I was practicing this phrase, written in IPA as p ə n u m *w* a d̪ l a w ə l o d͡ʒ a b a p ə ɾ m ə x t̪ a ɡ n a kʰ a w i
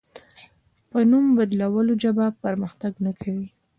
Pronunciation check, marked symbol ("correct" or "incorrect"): incorrect